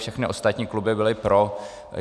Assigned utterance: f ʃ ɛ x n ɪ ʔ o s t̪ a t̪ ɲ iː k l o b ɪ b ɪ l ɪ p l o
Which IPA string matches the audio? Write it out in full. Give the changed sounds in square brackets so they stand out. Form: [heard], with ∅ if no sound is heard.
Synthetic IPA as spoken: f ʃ ɛ x n ɪ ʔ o s t̪ a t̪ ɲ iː k l [u] b ɪ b ɪ l ɪ p [ɾ] o